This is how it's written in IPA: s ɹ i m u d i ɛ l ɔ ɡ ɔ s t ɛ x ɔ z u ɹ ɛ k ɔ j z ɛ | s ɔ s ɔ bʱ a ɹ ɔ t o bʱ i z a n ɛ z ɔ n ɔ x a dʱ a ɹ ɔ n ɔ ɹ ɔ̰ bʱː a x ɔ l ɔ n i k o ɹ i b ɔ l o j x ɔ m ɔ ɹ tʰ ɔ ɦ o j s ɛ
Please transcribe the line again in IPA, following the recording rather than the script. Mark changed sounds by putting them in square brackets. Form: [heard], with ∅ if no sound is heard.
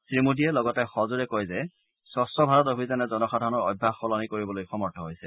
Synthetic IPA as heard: s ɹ i m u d i ɛ l ɔ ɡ ɔ [∅] t ɛ x ɔ z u ɹ ɛ k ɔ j z ɛ | s ɔ s ɔ bʱ a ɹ ɔ t o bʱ i z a n ɛ z ɔ n ɔ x a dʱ a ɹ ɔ n ɔ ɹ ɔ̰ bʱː a x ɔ l ɔ n i k o ɹ i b ɔ l o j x ɔ m ɔ ɹ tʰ ɔ ɦ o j s ɛ